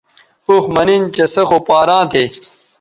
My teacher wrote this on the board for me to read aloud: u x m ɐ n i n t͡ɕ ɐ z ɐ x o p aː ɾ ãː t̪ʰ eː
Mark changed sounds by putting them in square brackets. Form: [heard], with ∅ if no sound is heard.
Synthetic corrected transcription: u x m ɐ n i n t͡ɕ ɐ [s] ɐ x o p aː ɾ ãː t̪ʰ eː